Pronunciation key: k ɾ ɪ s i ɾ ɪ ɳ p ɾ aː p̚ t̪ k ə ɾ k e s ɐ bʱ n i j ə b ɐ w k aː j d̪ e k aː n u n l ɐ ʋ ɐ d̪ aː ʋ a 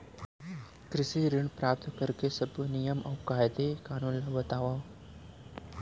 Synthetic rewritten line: k ɾ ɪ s i ɾ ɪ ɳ p ɾ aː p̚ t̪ k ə ɾ k e s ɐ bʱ n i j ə m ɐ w k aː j d̪ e k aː n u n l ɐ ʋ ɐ t̪ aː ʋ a